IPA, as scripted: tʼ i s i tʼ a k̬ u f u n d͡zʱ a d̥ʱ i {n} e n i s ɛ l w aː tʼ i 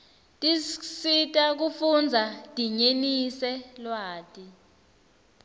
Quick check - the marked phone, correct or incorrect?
incorrect